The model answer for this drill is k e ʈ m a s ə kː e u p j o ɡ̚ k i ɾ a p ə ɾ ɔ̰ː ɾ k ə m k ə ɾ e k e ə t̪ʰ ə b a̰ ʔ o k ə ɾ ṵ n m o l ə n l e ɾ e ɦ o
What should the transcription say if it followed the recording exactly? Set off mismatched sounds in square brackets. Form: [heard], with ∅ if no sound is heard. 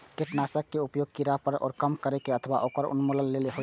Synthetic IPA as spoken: k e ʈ [n] a s ə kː e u p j o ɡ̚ k i ɾ a p ə ɾ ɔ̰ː ɾ k ə m k ə ɾ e k e ə t̪ʰ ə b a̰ ʔ o k ə ɾ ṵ n m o l ə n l e [l] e ɦ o